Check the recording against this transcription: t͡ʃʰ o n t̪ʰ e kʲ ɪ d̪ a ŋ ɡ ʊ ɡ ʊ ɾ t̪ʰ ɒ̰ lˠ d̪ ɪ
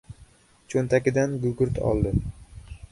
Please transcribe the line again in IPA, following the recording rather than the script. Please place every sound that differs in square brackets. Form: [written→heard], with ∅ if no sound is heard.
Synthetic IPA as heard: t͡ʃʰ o n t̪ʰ [e→a] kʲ ɪ d̪ a [ŋ→n] ɡ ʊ ɡ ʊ ɾ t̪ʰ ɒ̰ lˠ d̪ ɪ